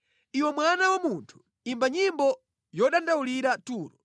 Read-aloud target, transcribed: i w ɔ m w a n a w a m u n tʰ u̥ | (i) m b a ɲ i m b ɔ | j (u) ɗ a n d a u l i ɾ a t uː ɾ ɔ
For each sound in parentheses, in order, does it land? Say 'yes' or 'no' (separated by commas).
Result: yes, no